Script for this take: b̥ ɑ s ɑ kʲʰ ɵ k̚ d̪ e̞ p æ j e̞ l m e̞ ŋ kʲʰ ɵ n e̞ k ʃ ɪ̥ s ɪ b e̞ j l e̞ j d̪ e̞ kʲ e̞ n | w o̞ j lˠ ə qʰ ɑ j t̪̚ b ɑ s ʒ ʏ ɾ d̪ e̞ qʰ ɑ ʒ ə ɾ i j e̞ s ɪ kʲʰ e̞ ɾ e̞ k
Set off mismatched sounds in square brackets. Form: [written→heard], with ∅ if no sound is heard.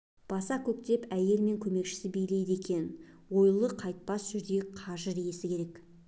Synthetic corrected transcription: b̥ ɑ s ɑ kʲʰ ɵ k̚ [d̪→t̪] e̞ p æ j e̞ l m e̞ ŋ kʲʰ ɵ [n→m] e̞ k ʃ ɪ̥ s ɪ b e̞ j l e̞ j d̪ e̞ kʲ e̞ n | w o̞ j lˠ ə qʰ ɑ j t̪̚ [b→p] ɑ s ʒ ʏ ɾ d̪ e̞ qʰ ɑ ʒ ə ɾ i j e̞ s ɪ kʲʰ e̞ ɾ e̞ k

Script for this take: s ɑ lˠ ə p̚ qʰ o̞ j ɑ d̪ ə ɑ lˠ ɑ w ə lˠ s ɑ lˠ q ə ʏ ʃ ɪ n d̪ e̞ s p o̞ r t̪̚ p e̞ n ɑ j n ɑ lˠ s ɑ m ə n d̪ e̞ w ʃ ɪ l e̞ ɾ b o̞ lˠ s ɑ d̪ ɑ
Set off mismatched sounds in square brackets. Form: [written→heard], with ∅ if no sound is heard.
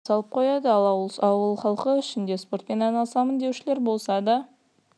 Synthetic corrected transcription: s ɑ lˠ ə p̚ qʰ o̞ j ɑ d̪ ə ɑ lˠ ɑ w ə lˠ [s→χ] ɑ lˠ q ə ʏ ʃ ɪ n d̪ e̞ s p o̞ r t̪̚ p e̞ n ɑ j n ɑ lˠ s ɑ m ə n d̪ e̞ w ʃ ɪ l e̞ ɾ b o̞ lˠ s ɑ d̪ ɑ

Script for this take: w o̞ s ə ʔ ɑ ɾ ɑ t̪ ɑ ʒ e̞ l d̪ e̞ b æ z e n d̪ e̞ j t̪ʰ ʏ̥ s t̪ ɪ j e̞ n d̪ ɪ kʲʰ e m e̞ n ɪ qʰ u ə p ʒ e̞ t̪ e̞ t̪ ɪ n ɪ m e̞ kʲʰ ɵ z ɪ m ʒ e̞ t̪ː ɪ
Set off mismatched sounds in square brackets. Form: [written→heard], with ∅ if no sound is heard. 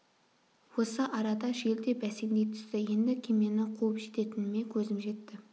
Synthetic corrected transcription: w o̞ s ə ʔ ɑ ɾ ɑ [t̪→d̪] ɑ ʒ e̞ l d̪ e̞ b æ [z→s] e n d̪ e̞ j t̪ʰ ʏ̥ s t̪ ɪ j e̞ n d̪ ɪ kʲʰ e m e̞ n ɪ qʰ u ə p ʒ e̞ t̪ e̞ t̪ ɪ n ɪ m e̞ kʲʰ ɵ z ɪ m ʒ e̞ t̪ː ɪ

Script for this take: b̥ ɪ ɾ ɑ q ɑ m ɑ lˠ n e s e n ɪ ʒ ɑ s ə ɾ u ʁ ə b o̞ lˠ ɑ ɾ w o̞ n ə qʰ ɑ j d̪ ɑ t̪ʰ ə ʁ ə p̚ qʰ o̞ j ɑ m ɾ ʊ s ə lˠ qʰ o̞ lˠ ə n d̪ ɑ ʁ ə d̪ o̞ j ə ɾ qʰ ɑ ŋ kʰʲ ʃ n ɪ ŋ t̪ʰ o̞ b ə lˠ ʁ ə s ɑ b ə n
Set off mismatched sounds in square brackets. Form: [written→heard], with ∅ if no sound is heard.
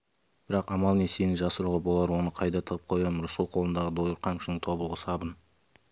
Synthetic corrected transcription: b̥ ɪ ɾ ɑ q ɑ m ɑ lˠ n e s e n ɪ ʒ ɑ s ə ɾ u ʁ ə b o̞ lˠ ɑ ɾ w o̞ n ə qʰ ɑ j d̪ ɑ t̪ʰ ə ʁ ə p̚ qʰ o̞ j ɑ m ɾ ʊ s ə lˠ qʰ o̞ lˠ ə n d̪ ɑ ʁ ə d̪ o̞ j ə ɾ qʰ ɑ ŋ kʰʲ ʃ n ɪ ŋ t̪ʰ o̞ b ə lˠ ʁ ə s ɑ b ə n

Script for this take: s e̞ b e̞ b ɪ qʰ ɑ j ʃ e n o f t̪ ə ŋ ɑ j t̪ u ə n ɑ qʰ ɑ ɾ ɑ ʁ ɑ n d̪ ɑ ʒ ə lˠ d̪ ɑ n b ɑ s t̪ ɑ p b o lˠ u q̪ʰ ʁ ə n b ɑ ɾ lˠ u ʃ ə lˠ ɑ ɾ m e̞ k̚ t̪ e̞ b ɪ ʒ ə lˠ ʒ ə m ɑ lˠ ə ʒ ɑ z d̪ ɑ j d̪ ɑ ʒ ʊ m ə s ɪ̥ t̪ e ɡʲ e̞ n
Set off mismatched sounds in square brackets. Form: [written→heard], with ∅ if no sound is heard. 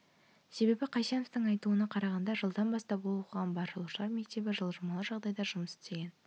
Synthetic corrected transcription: s e̞ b e̞ b ɪ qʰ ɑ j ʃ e n o f t̪ ə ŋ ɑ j t̪ u ə n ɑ qʰ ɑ ɾ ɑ ʁ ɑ n d̪ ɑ ʒ ə lˠ d̪ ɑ n b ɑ s t̪ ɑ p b o lˠ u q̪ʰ ʁ [ə→ɑ] n b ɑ ɾ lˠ u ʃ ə lˠ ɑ ɾ m e̞ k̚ t̪ e̞ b ɪ ʒ ə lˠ ʒ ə m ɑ lˠ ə ʒ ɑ [z→ʁ] d̪ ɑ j d̪ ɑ ʒ ʊ m ə s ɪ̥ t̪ e ɡʲ e̞ n

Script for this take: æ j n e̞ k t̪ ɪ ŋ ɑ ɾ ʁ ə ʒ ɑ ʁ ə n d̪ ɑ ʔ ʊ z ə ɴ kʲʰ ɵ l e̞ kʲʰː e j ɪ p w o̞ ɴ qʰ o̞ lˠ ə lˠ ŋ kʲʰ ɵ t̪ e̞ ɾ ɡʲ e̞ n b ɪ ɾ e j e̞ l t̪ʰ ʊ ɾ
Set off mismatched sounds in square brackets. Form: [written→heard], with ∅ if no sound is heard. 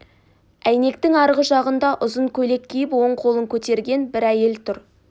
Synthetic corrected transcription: æ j n e̞ k t̪ ɪ ŋ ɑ ɾ ʁ ə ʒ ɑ ʁ ə n d̪ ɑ ʔ ʊ z ə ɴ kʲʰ ɵ l e̞ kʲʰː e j ɪ p w o̞ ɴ qʰ o̞ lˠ ə [lˠ→∅] ŋ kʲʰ ɵ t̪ e̞ ɾ ɡʲ e̞ n b ɪ ɾ [e→æ] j e̞ l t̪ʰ ʊ ɾ

